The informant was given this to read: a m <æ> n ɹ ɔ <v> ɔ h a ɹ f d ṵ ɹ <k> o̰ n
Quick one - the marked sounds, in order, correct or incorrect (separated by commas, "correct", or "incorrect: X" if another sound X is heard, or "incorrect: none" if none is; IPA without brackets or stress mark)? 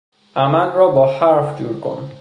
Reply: incorrect: a, incorrect: b, correct